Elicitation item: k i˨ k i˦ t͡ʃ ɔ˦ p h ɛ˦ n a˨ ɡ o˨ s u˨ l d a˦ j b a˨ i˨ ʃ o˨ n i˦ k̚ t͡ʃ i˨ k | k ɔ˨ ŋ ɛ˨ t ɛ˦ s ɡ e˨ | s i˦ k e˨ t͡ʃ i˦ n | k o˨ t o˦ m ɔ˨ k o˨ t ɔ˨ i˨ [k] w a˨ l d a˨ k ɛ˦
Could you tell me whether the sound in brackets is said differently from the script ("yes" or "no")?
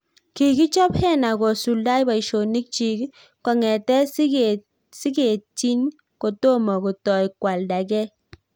no